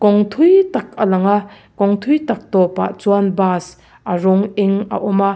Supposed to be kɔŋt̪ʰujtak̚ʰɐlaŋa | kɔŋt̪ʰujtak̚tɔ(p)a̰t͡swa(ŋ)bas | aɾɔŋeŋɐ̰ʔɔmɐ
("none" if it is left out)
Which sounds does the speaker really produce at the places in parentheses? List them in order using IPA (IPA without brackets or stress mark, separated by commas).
p, n